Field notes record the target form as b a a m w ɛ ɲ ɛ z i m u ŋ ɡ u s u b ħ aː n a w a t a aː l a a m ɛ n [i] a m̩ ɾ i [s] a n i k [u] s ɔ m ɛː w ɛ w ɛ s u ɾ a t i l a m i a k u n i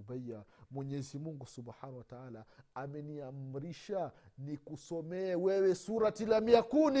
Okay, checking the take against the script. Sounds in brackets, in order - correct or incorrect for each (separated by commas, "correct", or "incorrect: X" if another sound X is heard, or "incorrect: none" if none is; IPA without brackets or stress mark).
correct, incorrect: ʃ, correct